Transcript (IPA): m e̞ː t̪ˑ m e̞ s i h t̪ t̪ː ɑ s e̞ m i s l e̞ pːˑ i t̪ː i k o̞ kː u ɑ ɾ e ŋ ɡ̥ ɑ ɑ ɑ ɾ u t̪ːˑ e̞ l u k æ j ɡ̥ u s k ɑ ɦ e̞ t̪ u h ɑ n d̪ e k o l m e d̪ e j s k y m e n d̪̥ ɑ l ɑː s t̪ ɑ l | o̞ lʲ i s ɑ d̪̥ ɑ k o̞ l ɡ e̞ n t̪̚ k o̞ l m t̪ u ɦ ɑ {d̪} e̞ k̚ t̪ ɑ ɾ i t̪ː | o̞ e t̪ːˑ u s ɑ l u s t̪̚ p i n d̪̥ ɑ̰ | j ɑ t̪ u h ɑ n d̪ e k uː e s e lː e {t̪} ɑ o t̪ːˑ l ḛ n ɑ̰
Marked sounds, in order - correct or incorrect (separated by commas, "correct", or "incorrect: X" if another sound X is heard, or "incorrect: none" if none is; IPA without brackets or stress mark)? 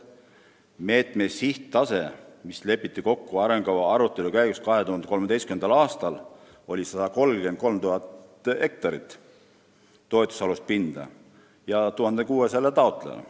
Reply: incorrect: t̪, correct